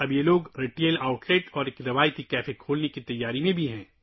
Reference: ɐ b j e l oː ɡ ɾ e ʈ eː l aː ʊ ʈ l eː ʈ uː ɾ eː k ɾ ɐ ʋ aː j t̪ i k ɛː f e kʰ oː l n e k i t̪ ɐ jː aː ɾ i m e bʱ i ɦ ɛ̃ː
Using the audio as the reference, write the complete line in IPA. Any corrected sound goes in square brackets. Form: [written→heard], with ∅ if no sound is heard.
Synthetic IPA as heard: ɐ b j e l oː ɡ ɾ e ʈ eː l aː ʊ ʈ l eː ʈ [uː→ɔː] ɾ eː k ɾ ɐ ʋ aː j t̪ i k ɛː f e kʰ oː l n e k i t̪ ɐ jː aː ɾ i m [e→ẽ] bʱ i ɦ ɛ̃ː